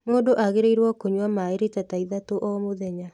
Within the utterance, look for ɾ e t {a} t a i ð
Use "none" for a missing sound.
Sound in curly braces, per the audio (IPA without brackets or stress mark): a